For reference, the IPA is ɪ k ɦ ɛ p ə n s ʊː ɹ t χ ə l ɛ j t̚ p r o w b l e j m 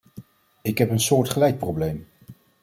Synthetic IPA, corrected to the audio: ɪ k ɦ ɛ p ə n s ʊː ɹ t χ ə l ɛ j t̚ p r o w b l e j m